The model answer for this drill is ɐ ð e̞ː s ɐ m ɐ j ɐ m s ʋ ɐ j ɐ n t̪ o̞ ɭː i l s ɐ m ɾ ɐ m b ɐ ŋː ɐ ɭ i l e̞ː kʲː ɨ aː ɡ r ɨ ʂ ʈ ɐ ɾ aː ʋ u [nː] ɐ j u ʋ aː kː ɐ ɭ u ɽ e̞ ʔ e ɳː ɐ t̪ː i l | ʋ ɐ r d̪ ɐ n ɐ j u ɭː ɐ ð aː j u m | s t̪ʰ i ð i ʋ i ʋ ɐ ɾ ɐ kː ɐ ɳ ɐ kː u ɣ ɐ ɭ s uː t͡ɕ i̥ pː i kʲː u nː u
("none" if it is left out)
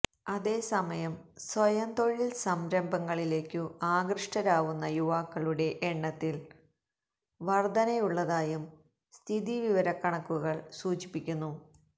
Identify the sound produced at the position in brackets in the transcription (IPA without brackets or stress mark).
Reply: nː